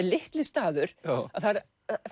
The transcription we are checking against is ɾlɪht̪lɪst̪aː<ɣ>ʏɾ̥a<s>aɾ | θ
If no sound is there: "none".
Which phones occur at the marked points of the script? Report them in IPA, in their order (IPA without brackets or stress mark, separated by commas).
ð, θ